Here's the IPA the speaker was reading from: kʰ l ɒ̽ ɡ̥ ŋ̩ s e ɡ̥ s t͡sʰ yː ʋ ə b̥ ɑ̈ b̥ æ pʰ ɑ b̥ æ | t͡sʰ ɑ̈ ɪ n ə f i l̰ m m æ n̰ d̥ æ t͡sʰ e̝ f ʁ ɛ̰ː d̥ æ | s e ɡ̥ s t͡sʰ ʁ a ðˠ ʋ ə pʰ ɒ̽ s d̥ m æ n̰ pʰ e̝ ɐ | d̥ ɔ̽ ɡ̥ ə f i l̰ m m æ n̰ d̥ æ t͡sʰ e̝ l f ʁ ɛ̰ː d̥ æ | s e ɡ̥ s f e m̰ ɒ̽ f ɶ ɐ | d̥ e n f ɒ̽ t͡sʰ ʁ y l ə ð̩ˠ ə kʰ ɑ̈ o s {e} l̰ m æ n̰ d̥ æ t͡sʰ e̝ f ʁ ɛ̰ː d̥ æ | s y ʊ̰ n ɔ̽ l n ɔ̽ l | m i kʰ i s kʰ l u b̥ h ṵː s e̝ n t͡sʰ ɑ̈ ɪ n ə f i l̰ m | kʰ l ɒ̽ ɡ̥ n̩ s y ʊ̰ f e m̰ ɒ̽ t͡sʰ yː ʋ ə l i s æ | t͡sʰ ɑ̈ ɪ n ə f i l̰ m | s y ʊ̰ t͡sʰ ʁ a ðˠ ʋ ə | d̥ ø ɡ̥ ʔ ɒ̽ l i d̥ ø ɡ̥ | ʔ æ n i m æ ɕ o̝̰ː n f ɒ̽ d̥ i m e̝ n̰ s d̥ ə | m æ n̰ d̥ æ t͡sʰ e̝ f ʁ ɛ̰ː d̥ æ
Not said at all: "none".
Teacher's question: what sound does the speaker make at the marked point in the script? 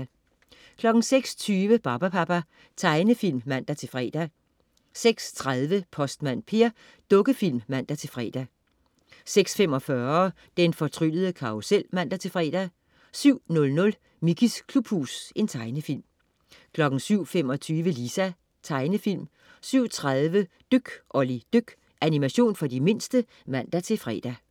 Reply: e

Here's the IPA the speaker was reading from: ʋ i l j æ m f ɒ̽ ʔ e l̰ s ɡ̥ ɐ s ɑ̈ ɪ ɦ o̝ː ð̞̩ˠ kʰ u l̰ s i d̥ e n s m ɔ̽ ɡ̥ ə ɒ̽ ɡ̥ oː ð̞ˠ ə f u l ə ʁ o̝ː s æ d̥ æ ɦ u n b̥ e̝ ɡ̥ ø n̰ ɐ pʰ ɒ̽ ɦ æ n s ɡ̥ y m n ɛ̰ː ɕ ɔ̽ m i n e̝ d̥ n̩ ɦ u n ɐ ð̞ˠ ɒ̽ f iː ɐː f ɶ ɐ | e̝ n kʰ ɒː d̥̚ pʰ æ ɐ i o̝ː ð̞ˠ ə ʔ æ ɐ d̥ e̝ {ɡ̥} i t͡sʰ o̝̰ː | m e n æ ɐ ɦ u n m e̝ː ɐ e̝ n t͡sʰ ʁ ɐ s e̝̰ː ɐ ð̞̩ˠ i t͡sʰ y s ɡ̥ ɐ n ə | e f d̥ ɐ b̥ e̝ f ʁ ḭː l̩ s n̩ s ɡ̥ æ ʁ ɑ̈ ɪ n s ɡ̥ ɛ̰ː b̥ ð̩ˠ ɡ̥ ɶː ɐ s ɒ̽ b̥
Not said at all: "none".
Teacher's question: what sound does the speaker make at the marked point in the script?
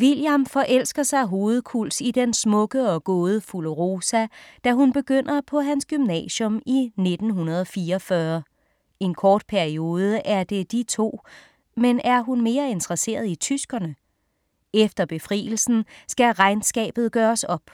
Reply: d̥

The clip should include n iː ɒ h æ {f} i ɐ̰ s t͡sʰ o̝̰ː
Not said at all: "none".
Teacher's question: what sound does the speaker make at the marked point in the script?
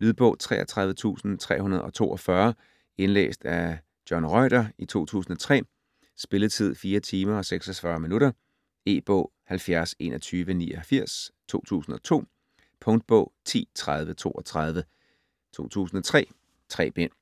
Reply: f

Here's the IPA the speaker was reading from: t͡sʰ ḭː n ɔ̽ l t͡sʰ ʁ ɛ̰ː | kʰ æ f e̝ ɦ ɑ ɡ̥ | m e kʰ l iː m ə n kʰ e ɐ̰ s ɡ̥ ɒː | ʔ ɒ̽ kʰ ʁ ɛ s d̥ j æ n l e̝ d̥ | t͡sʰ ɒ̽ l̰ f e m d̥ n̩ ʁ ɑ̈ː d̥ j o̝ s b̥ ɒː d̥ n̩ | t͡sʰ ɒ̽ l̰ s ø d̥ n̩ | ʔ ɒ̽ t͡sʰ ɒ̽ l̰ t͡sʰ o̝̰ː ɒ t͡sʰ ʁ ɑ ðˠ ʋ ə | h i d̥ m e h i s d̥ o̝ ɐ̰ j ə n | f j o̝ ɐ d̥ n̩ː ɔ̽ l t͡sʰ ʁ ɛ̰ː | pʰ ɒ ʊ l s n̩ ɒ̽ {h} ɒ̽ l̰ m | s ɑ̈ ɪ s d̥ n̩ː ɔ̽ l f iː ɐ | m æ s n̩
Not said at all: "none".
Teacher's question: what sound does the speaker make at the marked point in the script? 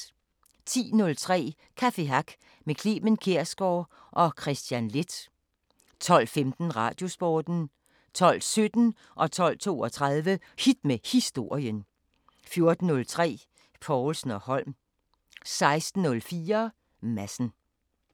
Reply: h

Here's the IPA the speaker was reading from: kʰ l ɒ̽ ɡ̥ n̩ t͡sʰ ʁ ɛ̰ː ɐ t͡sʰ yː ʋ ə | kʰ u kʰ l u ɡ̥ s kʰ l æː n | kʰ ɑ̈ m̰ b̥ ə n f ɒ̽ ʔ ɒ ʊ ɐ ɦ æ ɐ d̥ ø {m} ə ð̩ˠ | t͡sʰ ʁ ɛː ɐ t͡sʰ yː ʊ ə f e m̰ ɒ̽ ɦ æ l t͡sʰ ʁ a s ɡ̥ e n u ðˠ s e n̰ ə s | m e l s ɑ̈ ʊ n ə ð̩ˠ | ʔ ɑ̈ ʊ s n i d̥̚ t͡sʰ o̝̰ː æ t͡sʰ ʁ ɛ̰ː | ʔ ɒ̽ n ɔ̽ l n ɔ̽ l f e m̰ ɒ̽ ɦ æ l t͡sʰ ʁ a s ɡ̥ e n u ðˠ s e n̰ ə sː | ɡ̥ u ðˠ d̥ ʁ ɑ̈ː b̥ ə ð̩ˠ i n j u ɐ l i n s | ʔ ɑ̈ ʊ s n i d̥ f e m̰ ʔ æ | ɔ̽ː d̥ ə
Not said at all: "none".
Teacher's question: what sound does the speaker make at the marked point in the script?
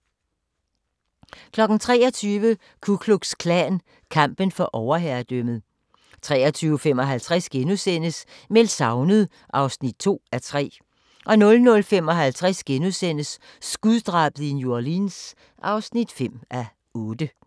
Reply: m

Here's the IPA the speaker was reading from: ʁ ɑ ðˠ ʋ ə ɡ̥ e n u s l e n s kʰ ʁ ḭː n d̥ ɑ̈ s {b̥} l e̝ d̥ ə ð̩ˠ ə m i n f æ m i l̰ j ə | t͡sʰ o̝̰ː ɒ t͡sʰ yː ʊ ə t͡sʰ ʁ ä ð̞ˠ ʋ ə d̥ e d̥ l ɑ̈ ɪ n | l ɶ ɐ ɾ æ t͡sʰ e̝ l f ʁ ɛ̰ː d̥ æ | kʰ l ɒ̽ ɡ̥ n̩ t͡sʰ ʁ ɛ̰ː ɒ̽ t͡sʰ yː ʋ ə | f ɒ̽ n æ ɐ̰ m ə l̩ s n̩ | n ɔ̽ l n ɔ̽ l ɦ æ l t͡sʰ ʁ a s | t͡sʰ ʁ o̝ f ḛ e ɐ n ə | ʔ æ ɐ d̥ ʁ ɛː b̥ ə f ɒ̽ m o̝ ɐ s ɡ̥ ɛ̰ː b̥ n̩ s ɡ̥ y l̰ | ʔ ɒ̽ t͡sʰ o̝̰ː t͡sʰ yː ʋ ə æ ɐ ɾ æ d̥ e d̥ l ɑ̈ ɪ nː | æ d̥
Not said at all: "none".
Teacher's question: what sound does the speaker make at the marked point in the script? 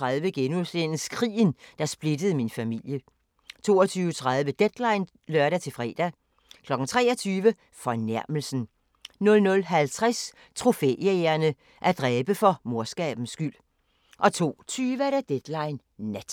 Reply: b̥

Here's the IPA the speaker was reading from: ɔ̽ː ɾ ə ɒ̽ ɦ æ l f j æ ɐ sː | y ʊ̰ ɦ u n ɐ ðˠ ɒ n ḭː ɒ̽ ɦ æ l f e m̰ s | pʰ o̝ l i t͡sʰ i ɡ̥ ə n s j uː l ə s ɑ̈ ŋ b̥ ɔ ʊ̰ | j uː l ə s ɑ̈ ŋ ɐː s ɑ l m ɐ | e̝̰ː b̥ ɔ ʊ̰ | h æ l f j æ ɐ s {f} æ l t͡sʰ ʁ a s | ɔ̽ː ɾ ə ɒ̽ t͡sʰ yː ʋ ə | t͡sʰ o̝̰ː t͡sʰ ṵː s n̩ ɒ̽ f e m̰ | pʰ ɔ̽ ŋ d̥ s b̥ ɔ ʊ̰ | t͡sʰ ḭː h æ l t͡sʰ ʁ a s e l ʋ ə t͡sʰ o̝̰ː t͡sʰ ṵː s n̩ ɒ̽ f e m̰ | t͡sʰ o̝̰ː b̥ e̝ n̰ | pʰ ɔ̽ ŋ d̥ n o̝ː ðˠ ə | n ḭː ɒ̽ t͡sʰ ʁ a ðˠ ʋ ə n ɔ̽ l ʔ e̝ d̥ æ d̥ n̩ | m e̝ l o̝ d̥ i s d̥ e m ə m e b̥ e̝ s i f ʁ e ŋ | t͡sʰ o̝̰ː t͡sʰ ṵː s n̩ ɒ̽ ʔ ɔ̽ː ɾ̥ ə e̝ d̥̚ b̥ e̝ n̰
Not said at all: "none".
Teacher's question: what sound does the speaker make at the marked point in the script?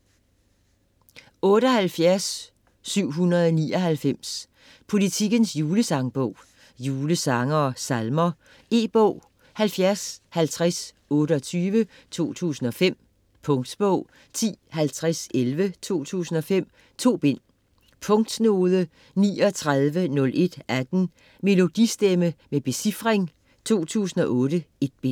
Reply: h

